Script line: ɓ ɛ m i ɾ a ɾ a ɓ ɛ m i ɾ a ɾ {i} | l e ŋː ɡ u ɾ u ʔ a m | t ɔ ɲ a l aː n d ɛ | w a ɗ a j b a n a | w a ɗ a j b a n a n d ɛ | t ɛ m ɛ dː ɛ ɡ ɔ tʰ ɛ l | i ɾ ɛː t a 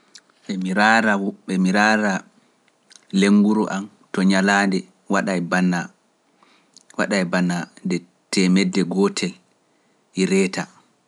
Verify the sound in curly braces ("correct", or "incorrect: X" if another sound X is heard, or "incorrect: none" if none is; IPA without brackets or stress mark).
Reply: incorrect: a